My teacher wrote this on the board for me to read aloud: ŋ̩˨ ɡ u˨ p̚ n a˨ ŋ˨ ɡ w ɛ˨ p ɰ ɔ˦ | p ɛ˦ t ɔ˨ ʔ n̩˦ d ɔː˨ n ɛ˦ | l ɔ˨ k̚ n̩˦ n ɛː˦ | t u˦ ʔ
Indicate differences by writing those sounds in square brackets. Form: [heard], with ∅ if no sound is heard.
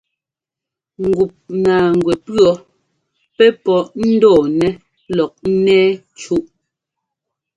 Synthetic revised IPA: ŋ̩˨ ɡ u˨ p̚ n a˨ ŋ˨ ɡ w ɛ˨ p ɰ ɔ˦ | p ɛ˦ [p] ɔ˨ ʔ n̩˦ d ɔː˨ n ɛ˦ | l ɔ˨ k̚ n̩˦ n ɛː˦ | [t͡ʃ] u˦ ʔ